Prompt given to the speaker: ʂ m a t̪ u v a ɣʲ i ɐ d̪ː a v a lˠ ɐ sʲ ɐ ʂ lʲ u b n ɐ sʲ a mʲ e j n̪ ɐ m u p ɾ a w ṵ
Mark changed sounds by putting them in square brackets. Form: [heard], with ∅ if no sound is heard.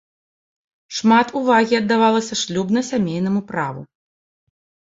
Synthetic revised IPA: ʂ m a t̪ u v a ɣʲ i ɐ d̪ː a v a lˠ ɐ sʲ ɐ ʂ lʲ u b n ɐ sʲ a mʲ e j n̪ ɐ m u p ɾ a [v] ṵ